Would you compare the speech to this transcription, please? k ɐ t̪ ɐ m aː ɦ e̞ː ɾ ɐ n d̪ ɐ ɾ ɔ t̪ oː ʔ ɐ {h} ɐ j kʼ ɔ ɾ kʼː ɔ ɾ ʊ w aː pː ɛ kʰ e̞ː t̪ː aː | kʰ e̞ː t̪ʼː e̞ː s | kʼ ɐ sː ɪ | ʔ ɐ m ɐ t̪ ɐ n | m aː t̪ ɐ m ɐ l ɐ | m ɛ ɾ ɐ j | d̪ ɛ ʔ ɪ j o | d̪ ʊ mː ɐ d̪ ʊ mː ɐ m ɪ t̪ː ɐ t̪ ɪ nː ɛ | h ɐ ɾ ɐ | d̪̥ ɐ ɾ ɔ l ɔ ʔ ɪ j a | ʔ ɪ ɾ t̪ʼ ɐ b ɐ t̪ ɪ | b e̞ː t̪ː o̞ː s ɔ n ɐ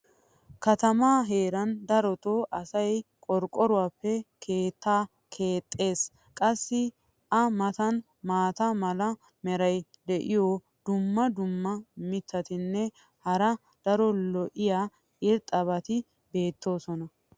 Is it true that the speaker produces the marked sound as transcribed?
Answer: no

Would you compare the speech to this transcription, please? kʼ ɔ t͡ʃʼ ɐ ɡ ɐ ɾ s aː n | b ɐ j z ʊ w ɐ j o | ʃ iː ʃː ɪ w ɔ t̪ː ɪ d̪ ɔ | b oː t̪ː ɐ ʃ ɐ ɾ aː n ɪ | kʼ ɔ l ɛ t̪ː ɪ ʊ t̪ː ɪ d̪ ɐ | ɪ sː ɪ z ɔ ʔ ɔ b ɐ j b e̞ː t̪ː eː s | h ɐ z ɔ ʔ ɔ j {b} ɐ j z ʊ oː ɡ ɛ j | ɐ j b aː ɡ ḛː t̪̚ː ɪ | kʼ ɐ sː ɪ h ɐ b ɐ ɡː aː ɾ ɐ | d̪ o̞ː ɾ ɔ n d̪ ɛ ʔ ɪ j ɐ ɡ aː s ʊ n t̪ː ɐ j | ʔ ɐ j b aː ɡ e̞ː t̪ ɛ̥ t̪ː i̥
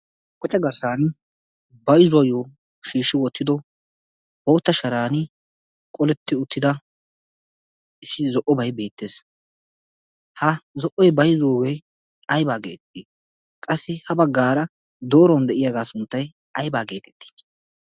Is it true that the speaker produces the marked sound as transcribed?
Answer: yes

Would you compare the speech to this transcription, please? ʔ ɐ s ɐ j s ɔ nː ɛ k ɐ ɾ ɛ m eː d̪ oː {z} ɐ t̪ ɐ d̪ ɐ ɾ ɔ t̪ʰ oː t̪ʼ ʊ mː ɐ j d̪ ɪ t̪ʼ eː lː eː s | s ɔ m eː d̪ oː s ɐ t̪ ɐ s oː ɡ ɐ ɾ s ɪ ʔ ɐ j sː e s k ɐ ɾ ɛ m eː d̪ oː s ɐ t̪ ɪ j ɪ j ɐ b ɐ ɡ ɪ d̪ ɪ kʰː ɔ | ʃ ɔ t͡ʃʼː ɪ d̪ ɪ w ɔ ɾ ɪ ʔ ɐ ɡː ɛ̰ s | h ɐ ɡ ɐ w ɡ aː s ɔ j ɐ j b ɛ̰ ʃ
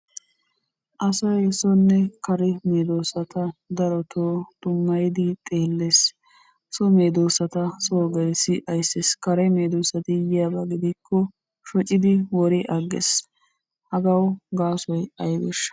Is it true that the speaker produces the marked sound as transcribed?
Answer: no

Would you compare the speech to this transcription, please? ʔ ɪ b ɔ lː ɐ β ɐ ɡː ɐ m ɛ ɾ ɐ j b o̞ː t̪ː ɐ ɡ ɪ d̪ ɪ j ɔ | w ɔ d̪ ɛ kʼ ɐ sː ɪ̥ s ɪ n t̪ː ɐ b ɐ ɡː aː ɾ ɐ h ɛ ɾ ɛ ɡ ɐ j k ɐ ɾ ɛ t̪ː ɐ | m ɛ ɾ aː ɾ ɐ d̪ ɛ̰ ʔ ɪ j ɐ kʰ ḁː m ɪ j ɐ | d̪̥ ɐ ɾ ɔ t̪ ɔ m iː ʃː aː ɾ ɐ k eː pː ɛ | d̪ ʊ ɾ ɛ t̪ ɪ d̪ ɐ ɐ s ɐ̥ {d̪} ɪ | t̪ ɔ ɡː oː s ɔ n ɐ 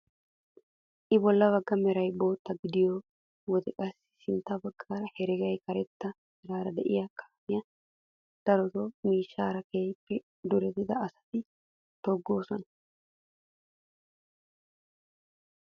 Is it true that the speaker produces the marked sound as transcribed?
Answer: no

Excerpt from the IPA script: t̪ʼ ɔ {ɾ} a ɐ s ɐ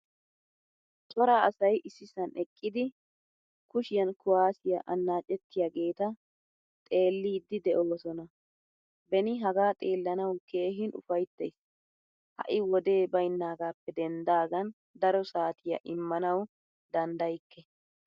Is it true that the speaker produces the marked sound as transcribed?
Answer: yes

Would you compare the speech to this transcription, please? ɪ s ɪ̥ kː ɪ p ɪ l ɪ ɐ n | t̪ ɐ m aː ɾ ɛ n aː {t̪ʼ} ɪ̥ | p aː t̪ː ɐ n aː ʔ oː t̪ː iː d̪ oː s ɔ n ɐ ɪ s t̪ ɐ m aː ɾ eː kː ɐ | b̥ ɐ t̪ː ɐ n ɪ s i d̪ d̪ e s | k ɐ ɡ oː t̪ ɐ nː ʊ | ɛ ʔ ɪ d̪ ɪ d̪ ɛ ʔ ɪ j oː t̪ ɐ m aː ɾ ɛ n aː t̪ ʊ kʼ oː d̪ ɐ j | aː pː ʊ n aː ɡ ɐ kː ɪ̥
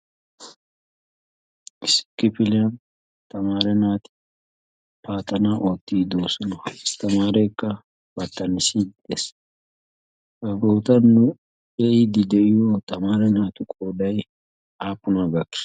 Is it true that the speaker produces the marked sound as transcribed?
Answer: no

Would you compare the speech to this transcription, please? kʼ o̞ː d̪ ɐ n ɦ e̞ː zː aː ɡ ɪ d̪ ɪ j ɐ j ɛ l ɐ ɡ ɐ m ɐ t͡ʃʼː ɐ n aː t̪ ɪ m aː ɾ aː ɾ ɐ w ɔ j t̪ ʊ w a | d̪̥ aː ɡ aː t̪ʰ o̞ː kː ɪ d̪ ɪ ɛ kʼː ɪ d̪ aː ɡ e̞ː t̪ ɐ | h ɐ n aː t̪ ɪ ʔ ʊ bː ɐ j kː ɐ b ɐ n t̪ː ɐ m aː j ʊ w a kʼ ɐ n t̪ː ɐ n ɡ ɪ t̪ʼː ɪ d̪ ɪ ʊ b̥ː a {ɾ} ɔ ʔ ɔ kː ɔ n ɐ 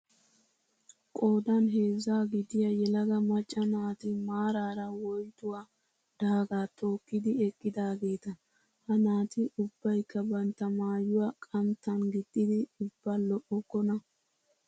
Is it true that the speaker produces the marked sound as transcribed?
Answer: no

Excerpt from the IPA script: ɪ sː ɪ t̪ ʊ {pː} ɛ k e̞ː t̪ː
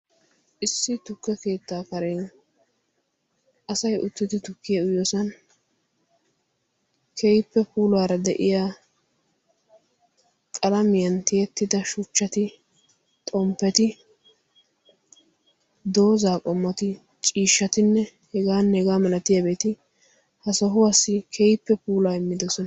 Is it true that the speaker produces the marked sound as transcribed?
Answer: no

